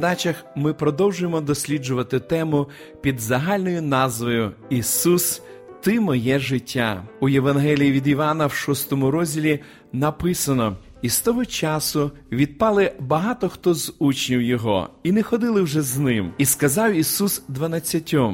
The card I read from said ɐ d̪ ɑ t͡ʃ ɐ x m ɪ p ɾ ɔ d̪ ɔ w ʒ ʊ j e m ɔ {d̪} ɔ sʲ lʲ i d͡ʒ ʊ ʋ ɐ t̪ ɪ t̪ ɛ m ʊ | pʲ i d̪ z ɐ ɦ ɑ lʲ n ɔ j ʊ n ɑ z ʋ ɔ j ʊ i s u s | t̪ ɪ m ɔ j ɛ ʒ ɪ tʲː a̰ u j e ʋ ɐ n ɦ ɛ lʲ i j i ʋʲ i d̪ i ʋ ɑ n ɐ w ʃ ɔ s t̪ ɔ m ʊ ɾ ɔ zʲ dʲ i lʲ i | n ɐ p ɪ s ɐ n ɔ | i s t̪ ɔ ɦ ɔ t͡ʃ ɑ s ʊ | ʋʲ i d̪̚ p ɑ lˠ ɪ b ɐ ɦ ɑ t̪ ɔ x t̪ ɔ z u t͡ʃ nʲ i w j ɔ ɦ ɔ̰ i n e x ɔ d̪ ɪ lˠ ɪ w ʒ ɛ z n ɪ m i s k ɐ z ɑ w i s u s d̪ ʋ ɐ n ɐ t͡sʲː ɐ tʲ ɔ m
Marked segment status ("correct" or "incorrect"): correct